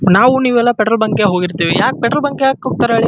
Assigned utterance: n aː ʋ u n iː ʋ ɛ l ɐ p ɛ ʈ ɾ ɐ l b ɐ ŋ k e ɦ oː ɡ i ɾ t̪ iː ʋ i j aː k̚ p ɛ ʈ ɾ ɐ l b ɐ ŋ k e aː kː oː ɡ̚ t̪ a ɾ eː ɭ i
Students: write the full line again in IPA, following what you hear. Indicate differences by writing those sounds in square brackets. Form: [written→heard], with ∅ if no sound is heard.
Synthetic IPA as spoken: n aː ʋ u n iː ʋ ɛ [l→lː] ɐ p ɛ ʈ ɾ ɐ l b ɐ ŋ k e ɦ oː ɡ i ɾ t̪ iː ʋ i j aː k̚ p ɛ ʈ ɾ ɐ l b ɐ ŋ k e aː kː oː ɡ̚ t̪ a ɾ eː ɭ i